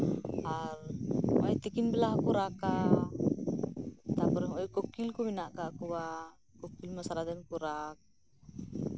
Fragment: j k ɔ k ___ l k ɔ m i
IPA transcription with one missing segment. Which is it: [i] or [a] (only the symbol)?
i